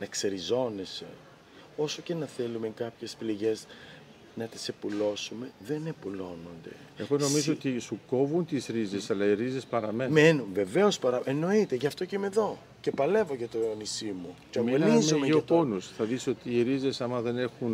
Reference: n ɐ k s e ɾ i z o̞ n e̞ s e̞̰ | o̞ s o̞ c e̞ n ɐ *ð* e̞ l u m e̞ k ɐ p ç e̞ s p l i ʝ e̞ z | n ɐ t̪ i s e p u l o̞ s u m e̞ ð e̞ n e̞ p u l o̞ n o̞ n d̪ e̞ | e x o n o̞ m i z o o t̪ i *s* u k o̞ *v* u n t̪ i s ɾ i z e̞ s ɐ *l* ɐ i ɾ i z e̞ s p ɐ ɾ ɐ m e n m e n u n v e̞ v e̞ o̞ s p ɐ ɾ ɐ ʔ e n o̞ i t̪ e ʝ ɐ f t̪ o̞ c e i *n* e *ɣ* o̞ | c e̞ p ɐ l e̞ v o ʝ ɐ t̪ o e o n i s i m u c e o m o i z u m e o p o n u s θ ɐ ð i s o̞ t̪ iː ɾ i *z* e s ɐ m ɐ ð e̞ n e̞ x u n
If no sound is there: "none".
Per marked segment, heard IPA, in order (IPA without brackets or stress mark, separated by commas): θ, s, v, l, m, ð, z